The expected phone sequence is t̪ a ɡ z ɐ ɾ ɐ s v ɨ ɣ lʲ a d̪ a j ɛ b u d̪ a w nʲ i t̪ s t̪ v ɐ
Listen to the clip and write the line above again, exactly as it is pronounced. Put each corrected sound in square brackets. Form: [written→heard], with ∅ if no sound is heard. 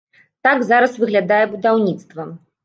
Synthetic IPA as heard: t̪ a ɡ z [ɐ→a] ɾ ɐ s v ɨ ɣ lʲ a d̪ a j ɛ b u d̪ a w nʲ i t̪ s t̪ v ɐ